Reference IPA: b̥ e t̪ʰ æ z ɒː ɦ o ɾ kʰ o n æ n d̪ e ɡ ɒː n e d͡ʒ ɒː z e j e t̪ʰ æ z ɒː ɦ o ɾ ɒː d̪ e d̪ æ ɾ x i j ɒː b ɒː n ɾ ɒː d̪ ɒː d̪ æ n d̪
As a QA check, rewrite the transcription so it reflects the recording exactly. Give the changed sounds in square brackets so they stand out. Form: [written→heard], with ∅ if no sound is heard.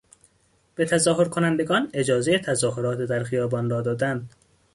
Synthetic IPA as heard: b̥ e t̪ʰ æ z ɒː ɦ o ɾ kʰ o n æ n d̪ e ɡ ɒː n e d͡ʒ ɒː z e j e t̪ʰ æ z ɒː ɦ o ɾ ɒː [d̪→t̪] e d̪ æ ɾ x i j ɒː b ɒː n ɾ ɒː d̪ ɒː d̪ æ n d̪